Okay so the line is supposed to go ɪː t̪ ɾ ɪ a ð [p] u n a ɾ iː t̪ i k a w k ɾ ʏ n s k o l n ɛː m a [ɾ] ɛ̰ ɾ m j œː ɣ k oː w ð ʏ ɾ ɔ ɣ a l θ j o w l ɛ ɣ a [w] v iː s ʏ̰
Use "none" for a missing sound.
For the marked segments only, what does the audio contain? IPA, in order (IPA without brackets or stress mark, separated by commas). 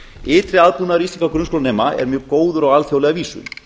p, none, none